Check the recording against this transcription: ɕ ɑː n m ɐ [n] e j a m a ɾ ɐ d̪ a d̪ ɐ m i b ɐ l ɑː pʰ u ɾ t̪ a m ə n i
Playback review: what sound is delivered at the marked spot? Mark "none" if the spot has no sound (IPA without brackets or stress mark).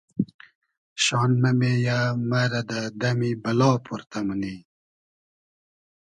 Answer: m